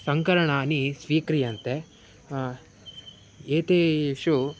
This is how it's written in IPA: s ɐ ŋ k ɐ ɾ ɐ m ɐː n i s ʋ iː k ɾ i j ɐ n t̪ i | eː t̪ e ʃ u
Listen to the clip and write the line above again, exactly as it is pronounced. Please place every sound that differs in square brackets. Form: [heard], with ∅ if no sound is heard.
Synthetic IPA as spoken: s ɐ ŋ k ɐ ɾ ɐ [ɳ] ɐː n i s ʋ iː k ɾ i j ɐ n t̪ [e] | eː t̪ e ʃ u